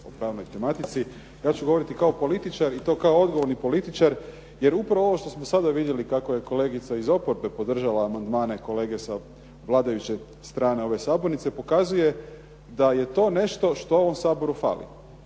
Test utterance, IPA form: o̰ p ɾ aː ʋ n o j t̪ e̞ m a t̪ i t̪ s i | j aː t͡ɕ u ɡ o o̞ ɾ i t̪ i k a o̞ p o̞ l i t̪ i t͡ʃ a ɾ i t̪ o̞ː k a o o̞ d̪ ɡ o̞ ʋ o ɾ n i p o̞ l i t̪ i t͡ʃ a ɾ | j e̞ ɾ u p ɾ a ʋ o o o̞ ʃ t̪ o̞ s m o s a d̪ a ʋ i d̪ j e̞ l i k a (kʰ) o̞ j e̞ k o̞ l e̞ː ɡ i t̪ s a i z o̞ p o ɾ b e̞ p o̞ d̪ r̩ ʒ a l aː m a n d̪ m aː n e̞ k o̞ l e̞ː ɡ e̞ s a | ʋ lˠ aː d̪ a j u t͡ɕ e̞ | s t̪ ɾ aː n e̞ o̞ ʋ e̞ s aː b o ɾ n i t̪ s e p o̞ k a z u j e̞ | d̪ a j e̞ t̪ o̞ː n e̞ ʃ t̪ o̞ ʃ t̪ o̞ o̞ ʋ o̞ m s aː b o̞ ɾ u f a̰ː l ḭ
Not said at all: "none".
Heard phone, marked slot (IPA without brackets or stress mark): k